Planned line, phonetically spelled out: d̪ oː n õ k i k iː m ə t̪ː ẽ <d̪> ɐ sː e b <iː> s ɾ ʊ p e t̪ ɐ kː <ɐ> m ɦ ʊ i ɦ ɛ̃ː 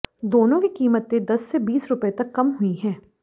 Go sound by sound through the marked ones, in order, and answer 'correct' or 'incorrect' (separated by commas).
correct, correct, correct